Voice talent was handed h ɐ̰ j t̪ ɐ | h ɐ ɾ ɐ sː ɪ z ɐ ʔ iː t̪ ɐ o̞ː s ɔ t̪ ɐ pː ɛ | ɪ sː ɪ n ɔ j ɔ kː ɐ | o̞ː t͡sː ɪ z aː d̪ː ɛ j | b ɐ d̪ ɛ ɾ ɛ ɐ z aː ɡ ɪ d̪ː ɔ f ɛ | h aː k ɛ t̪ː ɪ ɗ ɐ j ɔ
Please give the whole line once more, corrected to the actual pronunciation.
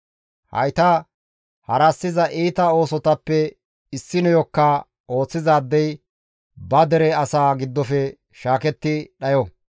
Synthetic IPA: h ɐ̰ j t̪ ɐ | h ɐ ɾ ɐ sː ɪ z ɐ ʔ iː t̪ ɐ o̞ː s ɔ t̪ ɐ pː ɛ | ɪ sː ɪ n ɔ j ɔ kː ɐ | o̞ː t͡sː ɪ z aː d̪ː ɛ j | b ɐ d̪ ɛ ɾ ɛ ɐ s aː ɡ ɪ d̪ː ɔ f ɛ | ʃ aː k ɛ t̪ː ɪ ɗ ɐ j ɔ